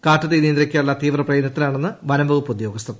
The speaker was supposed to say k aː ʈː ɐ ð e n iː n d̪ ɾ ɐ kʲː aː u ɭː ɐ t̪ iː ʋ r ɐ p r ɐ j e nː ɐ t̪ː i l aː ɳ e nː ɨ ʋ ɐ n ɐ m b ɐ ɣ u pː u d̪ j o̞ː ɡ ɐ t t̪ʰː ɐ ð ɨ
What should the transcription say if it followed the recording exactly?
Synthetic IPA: k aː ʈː ɐ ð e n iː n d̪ ɾ ɐ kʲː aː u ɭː ɐ t̪ iː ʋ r ɐ p r ɐ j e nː ɐ t̪ː i l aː ɳ e nː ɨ ʋ ɐ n ɐ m b ɐ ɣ u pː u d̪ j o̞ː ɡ ɐ s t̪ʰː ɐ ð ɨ